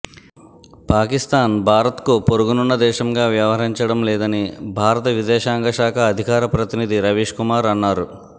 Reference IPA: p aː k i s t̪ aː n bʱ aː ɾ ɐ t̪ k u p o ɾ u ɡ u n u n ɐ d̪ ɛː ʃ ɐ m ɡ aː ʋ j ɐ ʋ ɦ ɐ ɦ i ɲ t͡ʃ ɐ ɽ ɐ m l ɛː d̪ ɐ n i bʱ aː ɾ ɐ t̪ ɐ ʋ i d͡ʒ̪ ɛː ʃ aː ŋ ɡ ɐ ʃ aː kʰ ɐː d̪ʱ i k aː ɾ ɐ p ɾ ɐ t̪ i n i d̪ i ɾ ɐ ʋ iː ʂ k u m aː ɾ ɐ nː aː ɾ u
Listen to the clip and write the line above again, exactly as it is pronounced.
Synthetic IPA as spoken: p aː k i s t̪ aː n bʱ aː ɾ ɐ t̪ k u p o ɾ u ɡ u n u nː ɐ d̪ ɛː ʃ ɐ m ɡ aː ʋ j ɐ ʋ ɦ ɐ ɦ i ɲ t͡ʃ ɐ ɽ ɐ m l ɛː d̪ ɐ n i bʱ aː ɾ ɐ t̪ ɐ ʋ i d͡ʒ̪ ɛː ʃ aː ŋ ɡ ɐ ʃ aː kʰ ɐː d̪ʱ i k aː ɾ ɐ p ɾ ɐ t̪ i n i d̪ i ɾ ɐ ʋ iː ʂ k u m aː ɾ ɐ nː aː ɾ u